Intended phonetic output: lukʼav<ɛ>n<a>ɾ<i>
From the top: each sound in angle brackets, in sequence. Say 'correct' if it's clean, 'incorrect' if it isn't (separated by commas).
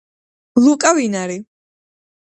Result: incorrect, correct, correct